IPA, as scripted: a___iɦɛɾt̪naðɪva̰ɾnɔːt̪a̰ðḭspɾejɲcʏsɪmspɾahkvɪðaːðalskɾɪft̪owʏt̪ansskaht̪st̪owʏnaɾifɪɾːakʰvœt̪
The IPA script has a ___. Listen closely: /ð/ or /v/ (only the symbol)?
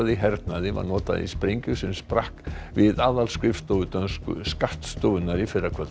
ð